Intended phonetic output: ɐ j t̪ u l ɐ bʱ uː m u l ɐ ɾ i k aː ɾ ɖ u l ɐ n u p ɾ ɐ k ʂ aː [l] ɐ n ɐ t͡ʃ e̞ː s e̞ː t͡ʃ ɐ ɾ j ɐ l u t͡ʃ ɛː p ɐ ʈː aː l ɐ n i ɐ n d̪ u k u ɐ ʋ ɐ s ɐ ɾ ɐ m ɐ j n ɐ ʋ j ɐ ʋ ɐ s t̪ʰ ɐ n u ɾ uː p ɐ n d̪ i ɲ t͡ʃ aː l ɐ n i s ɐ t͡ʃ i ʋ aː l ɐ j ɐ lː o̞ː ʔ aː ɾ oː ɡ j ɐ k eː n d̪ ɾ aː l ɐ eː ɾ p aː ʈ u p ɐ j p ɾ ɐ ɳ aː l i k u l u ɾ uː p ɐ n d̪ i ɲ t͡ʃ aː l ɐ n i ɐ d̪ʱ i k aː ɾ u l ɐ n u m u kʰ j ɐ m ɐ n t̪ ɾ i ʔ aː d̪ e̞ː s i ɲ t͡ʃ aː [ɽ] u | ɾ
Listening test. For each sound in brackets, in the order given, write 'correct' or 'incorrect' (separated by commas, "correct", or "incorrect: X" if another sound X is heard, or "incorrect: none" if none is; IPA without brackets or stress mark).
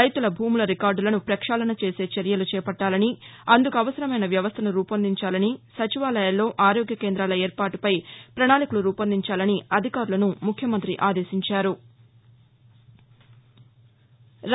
correct, incorrect: ɾ